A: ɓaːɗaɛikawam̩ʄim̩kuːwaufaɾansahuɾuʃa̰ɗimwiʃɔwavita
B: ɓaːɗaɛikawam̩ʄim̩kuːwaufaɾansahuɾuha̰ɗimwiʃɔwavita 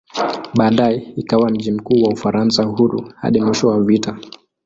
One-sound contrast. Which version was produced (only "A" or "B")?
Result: B